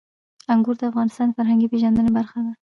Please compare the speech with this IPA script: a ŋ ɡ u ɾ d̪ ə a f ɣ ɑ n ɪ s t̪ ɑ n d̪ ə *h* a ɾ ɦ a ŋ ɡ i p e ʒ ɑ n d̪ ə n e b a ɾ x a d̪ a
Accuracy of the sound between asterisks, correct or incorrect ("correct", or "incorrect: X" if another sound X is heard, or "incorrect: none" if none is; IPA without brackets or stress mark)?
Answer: incorrect: f